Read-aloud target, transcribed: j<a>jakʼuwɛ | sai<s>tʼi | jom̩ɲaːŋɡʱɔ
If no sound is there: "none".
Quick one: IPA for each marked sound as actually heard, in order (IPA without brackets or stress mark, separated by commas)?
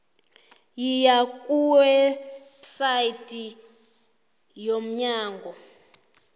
i, none